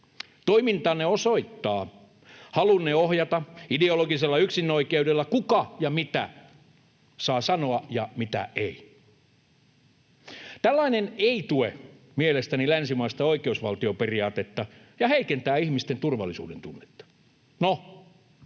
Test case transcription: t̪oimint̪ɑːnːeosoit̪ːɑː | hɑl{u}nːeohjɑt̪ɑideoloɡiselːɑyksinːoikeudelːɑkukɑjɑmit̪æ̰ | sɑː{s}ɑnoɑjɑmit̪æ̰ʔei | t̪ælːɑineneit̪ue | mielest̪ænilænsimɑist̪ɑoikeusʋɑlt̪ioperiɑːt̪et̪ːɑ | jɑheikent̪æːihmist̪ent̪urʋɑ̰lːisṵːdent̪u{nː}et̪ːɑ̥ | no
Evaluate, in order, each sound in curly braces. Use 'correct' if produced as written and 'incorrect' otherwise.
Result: correct, correct, correct

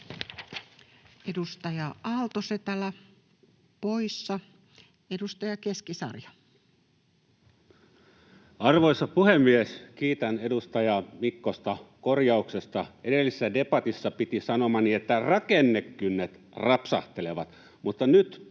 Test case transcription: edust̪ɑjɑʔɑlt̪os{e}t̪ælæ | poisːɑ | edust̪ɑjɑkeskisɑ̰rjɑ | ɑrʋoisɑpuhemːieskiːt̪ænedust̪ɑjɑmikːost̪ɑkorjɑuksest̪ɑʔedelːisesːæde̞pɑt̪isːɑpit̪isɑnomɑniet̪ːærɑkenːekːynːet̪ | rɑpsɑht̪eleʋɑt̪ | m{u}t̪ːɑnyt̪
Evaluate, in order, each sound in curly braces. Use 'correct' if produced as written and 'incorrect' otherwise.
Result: correct, correct

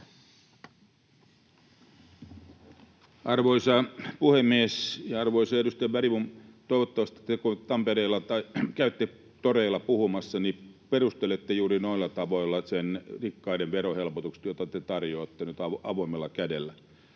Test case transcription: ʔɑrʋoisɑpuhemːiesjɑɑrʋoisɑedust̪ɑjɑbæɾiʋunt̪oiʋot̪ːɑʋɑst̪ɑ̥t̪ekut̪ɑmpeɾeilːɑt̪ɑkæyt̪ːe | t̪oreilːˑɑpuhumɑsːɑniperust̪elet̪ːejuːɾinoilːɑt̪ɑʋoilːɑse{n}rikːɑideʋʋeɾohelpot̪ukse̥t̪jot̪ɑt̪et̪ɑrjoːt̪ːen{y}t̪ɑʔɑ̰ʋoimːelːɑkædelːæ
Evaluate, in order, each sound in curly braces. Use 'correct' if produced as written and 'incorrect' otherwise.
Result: correct, correct

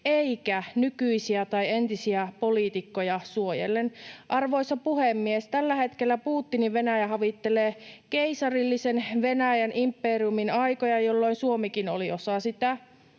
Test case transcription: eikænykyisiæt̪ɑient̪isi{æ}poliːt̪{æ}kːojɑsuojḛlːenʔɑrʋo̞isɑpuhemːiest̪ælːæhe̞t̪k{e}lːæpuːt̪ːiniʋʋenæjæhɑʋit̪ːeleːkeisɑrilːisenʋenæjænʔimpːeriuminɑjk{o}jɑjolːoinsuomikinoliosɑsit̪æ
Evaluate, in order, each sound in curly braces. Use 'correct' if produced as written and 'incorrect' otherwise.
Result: correct, incorrect, correct, correct

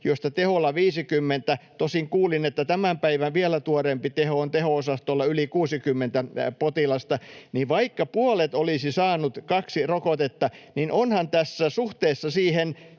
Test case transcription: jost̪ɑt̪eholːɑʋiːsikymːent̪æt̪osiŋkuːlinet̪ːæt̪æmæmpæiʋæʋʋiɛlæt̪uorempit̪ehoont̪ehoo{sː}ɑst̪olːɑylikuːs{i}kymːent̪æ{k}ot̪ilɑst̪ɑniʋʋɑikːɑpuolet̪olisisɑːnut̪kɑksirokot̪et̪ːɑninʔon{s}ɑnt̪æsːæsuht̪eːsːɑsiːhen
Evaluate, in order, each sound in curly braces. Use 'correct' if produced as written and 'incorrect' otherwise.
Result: incorrect, correct, incorrect, incorrect

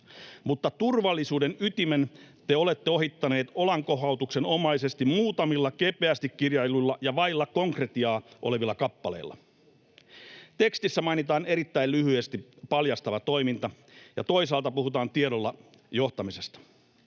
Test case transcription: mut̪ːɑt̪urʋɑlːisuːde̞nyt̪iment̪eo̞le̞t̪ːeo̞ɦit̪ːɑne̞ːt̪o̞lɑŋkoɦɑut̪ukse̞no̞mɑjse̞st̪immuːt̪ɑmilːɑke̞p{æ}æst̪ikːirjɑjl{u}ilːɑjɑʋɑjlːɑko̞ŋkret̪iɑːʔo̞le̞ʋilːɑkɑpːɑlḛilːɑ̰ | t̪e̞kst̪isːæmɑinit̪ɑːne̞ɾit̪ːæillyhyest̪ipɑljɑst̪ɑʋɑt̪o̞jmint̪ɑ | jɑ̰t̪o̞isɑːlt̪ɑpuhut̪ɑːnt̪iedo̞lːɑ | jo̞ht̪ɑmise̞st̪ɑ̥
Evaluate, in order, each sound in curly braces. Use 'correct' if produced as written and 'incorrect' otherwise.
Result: incorrect, correct

